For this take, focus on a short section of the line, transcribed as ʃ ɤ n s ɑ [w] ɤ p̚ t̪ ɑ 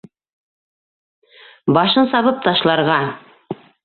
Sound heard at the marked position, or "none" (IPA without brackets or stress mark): β